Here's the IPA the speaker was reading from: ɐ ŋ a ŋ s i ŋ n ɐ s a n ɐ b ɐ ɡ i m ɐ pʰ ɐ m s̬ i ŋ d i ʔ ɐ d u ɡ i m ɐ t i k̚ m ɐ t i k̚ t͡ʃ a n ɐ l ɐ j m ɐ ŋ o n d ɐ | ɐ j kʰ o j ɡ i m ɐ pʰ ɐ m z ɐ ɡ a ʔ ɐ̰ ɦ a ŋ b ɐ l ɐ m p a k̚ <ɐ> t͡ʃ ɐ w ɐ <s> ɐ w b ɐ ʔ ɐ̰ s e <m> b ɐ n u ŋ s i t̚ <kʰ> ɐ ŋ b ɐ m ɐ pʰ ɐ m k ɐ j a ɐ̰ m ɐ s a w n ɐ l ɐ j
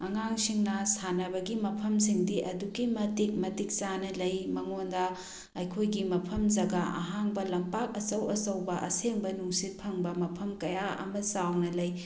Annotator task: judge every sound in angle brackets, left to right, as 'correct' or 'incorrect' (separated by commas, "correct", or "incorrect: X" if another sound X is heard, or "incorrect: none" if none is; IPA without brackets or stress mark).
correct, correct, incorrect: ŋ, incorrect: pʰ